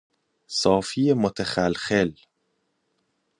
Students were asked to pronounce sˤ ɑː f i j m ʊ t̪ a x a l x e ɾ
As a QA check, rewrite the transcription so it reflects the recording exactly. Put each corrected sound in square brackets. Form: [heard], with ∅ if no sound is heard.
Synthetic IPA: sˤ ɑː f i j m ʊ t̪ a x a l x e [l]